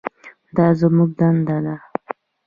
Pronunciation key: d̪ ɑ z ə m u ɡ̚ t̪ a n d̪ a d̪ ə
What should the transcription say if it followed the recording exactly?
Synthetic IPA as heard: d̪ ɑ z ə m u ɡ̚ d̪ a n d̪ a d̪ a